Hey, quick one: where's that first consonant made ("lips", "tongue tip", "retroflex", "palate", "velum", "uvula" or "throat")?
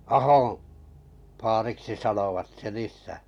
throat